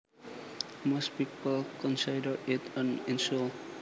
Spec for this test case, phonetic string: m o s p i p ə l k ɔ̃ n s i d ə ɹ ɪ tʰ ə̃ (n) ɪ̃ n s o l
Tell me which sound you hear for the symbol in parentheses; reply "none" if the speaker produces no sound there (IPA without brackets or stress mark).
n